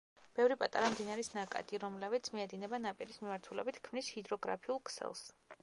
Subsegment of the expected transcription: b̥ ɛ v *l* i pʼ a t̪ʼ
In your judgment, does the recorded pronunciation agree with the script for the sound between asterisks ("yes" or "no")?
no